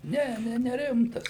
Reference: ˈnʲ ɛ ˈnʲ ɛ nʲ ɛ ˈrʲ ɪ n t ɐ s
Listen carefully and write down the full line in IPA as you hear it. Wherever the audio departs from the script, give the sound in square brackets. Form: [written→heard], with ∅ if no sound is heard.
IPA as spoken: ˈnʲ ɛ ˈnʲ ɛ nʲ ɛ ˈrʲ ɪ [n→m] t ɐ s